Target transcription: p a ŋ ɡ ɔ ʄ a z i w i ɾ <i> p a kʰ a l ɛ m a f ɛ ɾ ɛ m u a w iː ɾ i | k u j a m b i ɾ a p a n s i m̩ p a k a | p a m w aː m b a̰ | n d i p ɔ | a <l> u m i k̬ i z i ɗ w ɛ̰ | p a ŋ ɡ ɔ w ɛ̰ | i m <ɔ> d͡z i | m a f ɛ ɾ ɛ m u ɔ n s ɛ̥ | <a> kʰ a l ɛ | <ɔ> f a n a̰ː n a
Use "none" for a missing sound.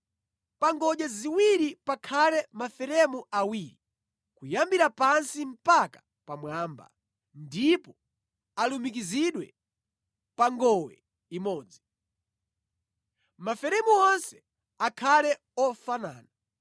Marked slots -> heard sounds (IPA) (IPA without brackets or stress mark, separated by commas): i, l, ɔː, a, ɔ